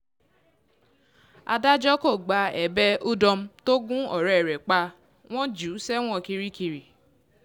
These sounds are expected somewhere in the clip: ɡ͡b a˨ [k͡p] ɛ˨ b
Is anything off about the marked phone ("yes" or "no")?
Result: yes